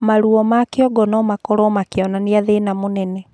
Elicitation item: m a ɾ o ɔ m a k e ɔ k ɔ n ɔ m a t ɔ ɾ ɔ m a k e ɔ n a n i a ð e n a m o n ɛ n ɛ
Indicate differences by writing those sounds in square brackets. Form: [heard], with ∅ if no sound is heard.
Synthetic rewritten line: m a ɾ [u] ɔ m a k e ɔ [ɡ] ɔ n ɔ m a [k] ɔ ɾ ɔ m a k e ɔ n a n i a ð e n a m o n ɛ n ɛ